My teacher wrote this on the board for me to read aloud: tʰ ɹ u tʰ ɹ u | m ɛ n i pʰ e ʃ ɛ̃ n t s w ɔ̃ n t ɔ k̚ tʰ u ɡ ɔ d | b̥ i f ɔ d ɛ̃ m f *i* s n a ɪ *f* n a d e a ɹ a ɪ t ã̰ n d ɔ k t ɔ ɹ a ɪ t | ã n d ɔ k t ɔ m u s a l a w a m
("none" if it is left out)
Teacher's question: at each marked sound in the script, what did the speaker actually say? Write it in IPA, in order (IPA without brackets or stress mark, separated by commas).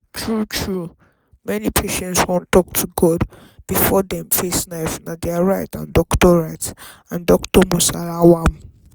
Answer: e, f